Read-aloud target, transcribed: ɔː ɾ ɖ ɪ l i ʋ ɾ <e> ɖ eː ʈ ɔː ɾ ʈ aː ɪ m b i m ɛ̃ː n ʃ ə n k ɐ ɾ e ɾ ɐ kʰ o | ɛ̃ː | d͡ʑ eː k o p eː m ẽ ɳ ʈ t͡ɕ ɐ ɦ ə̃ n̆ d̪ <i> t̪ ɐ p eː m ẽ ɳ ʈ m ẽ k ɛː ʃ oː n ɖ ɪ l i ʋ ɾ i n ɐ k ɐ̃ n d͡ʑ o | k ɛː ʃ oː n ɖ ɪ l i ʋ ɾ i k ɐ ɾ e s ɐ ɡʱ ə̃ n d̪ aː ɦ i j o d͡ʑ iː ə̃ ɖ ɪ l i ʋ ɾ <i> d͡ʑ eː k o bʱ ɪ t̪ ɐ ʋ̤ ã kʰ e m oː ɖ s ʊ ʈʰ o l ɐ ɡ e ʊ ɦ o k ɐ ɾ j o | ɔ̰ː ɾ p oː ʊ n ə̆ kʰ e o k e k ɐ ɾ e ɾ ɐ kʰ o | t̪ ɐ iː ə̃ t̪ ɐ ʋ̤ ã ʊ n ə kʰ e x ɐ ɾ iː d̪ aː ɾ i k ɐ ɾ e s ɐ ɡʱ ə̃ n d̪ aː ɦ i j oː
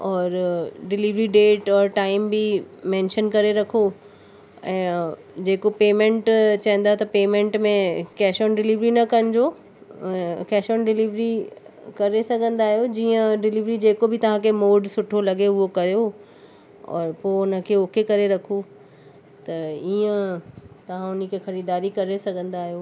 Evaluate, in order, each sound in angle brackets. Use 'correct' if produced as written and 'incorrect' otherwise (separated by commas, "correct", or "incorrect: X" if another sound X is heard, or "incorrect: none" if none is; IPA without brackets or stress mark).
incorrect: i, incorrect: a, correct